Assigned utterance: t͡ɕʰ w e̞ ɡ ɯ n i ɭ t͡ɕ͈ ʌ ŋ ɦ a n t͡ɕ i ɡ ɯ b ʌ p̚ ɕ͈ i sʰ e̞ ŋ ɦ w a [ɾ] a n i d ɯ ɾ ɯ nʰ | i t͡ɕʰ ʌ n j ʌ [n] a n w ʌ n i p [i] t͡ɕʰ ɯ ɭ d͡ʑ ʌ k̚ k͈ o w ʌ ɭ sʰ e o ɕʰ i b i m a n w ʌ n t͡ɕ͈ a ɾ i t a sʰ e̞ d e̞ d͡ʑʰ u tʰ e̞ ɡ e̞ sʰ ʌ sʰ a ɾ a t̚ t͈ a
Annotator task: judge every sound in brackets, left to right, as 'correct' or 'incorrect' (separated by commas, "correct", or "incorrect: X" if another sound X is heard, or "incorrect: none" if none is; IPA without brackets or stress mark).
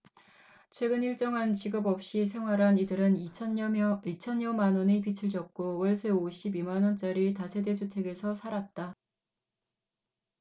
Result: correct, incorrect: m, correct